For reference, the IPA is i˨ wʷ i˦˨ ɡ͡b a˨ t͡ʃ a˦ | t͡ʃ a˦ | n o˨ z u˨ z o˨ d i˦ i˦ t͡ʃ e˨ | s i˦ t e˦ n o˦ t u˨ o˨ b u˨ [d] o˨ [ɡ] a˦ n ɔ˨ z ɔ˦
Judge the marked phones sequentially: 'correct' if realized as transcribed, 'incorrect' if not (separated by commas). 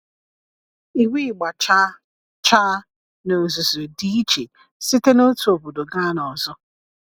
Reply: correct, correct